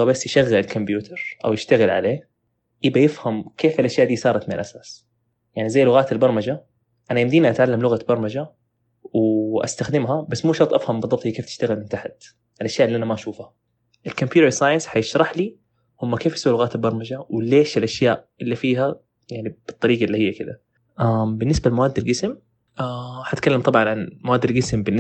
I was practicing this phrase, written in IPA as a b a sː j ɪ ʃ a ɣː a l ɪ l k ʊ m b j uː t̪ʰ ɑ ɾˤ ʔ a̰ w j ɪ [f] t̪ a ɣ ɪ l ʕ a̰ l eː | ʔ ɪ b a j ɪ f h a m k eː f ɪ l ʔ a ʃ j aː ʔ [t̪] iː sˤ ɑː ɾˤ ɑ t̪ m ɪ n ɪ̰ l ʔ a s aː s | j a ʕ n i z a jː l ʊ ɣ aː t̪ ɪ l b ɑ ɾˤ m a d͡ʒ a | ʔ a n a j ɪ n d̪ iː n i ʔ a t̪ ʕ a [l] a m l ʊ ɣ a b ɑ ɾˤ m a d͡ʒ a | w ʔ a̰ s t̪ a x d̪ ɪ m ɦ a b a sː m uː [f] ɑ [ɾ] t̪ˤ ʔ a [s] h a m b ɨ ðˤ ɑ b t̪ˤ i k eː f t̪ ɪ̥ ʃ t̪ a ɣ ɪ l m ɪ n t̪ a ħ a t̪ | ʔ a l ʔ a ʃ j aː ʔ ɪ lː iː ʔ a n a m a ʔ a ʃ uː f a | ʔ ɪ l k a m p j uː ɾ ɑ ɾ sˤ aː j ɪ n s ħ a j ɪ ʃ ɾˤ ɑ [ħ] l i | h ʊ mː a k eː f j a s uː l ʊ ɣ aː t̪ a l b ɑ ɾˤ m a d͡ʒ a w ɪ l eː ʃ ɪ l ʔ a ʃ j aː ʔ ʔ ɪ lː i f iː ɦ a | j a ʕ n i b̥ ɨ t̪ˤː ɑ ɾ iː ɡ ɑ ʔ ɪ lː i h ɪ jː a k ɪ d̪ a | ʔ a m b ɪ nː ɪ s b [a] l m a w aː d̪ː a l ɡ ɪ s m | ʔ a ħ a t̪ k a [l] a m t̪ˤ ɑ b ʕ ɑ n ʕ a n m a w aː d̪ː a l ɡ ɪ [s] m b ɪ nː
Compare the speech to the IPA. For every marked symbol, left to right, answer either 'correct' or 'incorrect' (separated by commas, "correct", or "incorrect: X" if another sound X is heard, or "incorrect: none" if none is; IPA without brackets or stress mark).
incorrect: ʃ, incorrect: d̪, incorrect: lː, incorrect: ʃ, correct, incorrect: f, correct, correct, incorrect: lː, correct